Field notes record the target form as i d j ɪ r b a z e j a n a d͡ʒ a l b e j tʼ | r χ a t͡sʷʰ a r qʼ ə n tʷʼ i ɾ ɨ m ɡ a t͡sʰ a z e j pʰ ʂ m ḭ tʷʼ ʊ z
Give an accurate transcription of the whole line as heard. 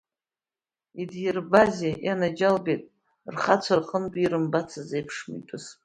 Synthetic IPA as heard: i d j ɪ r b a z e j a n a d͡ʒ a l b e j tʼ | r χ a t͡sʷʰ a r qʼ ə n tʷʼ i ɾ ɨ m b a t͡sʰ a z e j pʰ ʂ m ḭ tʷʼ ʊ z